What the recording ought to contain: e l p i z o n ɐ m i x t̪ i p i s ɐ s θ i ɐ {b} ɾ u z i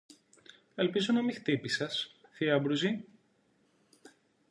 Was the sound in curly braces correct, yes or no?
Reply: yes